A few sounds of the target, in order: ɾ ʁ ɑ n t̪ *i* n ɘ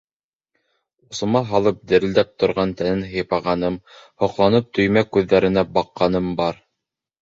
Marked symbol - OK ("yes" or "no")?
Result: no